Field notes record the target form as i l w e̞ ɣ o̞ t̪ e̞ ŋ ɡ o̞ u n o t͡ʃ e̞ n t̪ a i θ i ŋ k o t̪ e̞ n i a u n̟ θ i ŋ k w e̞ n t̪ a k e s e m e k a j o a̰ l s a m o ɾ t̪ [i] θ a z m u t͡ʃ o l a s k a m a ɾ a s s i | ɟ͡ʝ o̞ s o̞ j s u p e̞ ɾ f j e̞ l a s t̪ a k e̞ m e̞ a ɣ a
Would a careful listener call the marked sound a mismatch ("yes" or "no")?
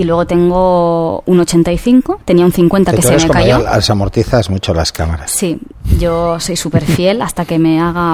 no